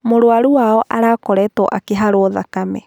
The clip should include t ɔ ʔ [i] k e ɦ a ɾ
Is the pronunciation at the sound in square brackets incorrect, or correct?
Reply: incorrect